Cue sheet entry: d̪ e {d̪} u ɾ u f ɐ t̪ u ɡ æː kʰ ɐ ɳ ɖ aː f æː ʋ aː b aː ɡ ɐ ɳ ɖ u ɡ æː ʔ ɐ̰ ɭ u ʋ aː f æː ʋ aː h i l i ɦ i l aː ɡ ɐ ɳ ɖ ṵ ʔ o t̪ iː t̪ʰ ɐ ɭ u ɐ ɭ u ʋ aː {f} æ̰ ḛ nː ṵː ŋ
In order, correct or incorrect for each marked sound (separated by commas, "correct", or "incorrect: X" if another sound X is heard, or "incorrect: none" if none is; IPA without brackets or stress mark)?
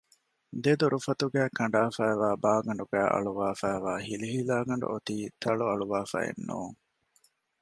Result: correct, correct